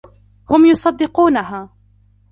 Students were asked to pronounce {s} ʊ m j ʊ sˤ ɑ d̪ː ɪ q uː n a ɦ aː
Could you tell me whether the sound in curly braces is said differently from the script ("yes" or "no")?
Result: yes